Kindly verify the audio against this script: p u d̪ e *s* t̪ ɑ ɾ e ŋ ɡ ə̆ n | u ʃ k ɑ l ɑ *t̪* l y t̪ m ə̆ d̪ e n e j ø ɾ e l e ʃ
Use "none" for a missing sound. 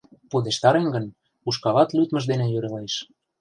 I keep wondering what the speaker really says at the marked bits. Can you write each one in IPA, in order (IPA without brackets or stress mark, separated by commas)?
ʃ, t̪